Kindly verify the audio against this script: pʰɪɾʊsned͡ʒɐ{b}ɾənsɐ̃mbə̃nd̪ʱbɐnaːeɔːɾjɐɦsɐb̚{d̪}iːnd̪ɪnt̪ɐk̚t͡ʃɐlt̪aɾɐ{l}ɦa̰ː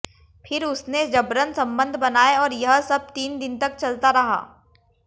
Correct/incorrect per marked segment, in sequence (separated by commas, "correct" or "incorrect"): correct, incorrect, incorrect